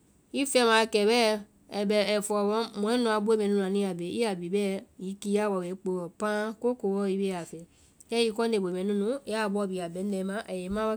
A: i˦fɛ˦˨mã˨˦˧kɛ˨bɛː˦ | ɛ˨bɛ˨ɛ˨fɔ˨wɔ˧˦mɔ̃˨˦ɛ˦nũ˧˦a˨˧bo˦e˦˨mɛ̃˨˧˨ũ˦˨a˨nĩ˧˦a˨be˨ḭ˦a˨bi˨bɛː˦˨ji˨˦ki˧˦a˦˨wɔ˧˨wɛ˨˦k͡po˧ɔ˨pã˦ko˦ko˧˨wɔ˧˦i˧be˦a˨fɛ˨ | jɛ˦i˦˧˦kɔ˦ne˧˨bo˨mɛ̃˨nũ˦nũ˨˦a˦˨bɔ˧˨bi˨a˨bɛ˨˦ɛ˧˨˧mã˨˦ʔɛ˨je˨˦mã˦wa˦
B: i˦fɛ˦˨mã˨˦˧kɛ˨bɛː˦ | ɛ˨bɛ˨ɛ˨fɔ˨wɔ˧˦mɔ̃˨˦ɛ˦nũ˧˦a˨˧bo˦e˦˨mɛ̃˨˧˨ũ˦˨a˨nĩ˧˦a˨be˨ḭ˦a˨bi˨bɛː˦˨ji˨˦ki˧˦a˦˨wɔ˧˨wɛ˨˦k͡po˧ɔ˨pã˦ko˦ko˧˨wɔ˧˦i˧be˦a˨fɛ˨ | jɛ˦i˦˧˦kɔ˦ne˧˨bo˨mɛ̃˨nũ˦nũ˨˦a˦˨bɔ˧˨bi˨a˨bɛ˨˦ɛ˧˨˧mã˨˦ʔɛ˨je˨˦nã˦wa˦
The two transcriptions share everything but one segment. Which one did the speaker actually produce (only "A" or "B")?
A